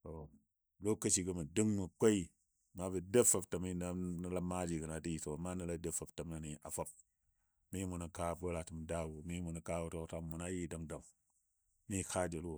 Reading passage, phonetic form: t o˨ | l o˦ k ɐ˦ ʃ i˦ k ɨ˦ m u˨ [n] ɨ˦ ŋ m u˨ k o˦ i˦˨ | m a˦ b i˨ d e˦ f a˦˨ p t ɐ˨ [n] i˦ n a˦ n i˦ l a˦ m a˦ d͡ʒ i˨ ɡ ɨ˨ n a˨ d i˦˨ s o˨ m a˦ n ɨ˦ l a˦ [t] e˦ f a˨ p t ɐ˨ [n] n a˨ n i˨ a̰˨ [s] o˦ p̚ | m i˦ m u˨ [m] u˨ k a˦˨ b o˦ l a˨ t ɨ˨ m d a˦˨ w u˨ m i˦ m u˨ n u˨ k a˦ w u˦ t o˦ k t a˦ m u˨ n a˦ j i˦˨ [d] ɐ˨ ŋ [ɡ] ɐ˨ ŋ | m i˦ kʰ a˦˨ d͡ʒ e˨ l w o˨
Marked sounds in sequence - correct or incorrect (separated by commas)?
incorrect, incorrect, incorrect, incorrect, incorrect, incorrect, correct, incorrect